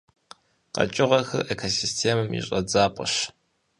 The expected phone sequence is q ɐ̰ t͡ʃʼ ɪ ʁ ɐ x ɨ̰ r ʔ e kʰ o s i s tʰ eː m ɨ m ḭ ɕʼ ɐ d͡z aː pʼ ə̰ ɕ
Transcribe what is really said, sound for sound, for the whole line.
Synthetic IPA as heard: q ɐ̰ t͡ʃʼ ɪ ʁ ɐ x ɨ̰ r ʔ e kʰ o s i s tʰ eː m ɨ m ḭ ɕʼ ɐ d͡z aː pʼ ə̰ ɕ